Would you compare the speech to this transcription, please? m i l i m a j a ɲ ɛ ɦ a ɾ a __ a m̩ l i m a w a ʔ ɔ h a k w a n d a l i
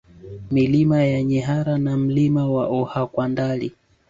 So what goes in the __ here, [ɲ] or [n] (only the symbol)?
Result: n